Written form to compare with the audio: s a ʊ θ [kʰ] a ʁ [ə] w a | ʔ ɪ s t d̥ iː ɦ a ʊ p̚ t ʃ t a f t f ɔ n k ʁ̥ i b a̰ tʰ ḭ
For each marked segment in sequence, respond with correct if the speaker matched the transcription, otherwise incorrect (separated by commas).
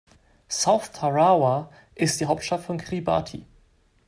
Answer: incorrect, incorrect